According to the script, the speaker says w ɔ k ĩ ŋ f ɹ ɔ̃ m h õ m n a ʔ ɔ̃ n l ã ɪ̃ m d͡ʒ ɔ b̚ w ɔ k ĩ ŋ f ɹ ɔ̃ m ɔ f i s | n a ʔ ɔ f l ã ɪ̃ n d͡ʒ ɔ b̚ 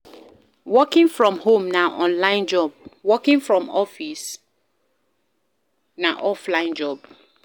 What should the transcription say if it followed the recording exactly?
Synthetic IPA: w ɔ k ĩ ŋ f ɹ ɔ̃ m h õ m n a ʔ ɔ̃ n l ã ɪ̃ n d͡ʒ ɔ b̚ w ɔ k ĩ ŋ f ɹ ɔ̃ m ɔ f i s | n a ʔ ɔ f l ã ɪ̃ n d͡ʒ ɔ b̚